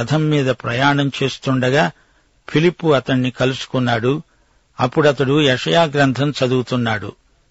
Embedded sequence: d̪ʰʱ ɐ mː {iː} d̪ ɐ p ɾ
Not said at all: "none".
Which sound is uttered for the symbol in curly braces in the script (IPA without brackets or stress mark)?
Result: iː